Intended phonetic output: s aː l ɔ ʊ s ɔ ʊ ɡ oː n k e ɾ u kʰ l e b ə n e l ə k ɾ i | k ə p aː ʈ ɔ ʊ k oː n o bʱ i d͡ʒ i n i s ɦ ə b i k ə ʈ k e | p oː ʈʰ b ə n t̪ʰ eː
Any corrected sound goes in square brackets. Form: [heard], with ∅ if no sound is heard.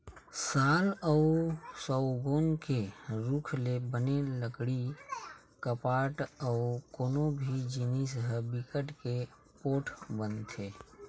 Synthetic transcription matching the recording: s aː l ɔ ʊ s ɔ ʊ ɡ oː n k e ɾ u kʰ l e b ə n e l ə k [ɽ] i | k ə p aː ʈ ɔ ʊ k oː n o bʱ i d͡ʒ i n i s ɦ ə b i k ə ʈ k e | p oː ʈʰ b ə n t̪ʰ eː